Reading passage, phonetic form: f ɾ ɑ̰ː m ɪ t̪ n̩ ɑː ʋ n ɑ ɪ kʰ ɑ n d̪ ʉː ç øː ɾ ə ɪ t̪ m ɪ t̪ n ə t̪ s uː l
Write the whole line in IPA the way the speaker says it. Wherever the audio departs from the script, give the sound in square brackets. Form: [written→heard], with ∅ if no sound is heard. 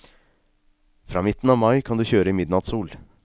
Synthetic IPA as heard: f ɾ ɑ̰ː m ɪ t̪ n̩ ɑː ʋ [n→m] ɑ ɪ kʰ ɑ n d̪ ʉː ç øː ɾ ə ɪ [t̪→∅] m ɪ [t̪→d̪] n [ə→ɑ] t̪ s uː l